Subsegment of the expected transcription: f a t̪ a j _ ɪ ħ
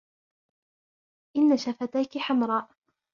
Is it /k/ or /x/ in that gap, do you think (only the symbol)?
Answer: k